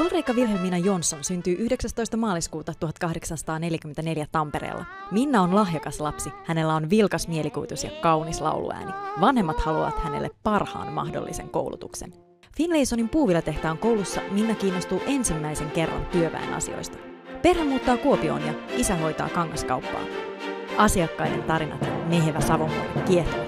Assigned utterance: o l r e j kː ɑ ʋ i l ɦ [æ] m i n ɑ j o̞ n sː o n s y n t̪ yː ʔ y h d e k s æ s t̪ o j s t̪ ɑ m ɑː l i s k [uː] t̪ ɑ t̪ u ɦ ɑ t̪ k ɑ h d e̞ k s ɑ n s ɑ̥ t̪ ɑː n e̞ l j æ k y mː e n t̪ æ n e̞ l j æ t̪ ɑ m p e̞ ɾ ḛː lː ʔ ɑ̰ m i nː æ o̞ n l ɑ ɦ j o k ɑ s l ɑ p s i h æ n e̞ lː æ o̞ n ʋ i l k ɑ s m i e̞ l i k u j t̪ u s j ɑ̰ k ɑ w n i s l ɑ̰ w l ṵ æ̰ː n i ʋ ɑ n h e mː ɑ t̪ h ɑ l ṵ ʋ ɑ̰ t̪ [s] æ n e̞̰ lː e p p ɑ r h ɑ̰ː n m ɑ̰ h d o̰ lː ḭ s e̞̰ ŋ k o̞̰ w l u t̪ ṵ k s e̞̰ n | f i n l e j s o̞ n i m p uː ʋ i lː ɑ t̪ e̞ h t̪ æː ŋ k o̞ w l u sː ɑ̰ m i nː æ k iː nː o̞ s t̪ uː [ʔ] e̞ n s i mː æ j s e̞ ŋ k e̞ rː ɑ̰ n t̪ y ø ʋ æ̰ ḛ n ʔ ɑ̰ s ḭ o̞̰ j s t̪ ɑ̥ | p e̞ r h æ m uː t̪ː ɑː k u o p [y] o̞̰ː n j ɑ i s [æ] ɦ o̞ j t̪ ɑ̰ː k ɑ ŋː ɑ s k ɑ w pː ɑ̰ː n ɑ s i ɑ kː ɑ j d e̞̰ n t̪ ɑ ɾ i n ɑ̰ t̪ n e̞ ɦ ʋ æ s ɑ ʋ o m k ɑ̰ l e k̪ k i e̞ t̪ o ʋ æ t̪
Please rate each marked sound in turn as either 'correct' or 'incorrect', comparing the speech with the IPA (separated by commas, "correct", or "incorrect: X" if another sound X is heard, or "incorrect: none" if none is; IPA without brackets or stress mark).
incorrect: e, correct, incorrect: h, correct, incorrect: i, correct